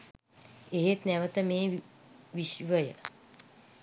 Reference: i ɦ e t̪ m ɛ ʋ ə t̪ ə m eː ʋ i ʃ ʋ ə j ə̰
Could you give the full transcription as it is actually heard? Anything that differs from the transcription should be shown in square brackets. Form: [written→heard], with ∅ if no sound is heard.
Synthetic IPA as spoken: [i→e] ɦ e t̪ [m→n] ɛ ʋ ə t̪ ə m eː ʋ i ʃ ʋ ə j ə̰